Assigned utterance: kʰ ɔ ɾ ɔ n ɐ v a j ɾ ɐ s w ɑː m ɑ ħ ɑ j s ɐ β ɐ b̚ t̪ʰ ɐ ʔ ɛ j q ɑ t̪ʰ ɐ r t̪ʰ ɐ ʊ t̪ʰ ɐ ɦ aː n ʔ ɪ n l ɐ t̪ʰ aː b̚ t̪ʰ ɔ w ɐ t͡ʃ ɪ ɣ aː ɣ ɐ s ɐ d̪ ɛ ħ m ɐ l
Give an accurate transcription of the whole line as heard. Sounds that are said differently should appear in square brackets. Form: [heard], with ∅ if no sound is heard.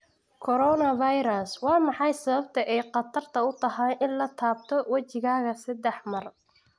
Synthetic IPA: kʰ ɔ ɾ ɔ n ɐ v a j ɾ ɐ s w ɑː m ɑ ħ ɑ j s ɐ β ɐ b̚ t̪ʰ ɐ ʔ ɛ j q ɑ t̪ʰ ɐ r t̪ʰ ɐ ʊ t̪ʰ ɐ ɦ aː n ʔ ɪ n l ɐ t̪ʰ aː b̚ t̪ʰ ɔ w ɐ t͡ʃ ɪ ɣ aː ɣ ɐ s ɐ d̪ ɛ ħ m ɐ [r]